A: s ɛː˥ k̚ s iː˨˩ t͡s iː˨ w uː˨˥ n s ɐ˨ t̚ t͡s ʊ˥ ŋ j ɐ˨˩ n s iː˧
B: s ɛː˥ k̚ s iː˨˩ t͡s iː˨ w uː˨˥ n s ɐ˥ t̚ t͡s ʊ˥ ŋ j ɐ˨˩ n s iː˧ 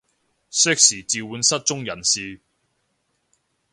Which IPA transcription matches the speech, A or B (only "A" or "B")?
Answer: B